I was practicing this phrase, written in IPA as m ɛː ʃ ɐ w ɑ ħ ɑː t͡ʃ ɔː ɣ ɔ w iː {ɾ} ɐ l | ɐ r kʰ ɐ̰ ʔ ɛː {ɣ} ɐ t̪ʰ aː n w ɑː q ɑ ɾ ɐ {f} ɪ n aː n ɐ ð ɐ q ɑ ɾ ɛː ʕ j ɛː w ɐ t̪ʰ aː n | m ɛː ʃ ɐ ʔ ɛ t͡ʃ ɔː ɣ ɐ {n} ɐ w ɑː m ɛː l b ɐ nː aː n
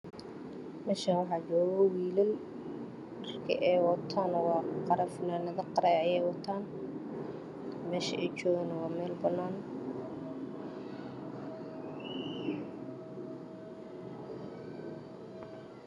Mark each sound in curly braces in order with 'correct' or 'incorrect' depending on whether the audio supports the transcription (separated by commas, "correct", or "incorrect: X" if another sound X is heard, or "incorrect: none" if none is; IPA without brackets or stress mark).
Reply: incorrect: l, incorrect: w, correct, correct